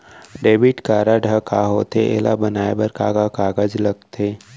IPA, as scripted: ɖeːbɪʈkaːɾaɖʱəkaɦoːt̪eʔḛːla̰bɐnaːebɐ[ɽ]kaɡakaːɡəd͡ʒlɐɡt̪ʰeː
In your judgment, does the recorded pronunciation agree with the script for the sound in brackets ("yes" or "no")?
no